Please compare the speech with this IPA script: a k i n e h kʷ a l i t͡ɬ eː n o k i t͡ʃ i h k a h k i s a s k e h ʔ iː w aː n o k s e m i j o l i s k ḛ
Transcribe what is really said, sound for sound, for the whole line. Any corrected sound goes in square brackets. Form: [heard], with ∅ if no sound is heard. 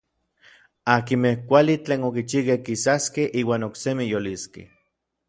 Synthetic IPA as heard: a k i [m] e h kʷ a l i t͡ɬ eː n o k i t͡ʃ i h k [e] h k i s a s k e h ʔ iː w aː n o k s e m i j o l i s k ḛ